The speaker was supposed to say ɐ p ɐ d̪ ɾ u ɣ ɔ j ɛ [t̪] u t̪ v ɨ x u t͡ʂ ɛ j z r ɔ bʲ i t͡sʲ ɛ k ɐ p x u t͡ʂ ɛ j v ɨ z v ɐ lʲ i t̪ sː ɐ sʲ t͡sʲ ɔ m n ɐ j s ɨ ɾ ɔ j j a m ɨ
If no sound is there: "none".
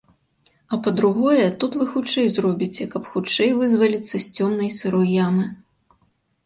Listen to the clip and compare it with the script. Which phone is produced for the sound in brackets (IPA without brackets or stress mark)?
t̪